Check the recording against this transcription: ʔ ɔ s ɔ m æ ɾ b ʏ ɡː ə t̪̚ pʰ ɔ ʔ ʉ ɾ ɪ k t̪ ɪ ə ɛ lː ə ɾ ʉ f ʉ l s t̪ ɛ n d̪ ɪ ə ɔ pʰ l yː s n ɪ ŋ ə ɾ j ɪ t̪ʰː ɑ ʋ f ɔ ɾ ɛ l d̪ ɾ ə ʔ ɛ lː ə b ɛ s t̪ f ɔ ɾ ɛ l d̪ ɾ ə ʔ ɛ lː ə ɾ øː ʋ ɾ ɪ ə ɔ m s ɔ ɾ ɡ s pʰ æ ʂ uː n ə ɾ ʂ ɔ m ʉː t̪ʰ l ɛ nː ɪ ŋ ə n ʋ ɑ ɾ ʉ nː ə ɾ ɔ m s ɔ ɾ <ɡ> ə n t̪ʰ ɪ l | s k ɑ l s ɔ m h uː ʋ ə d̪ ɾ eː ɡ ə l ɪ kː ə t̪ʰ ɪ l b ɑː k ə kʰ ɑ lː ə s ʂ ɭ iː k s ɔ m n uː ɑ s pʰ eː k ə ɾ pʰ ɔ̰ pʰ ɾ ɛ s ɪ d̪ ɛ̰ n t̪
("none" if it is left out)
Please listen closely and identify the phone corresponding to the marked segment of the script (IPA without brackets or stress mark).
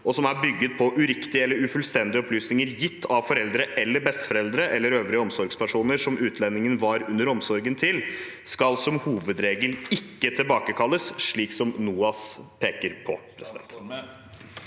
ɡ